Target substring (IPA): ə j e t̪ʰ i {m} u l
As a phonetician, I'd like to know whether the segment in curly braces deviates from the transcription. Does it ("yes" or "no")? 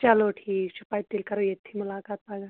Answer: no